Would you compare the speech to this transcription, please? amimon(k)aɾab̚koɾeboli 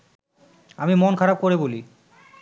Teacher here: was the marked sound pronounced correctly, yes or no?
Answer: no